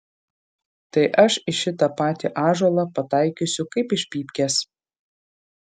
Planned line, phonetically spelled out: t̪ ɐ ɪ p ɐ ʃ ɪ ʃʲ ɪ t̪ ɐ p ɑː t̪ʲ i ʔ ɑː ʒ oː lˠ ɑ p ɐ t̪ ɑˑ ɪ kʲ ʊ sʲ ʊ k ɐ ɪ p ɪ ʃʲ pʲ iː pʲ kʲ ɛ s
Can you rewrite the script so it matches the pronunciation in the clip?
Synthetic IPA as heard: t̪ ɐ ɪ ʔ ɐ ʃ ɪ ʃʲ ɪ t̪ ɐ p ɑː t̪ʲ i ʔ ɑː ʒ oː lˠ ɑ p ɐ t̪ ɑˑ ɪ kʲ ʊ sʲ ʊ k ɐ ɪ p ɪ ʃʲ pʲ iː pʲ kʲ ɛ s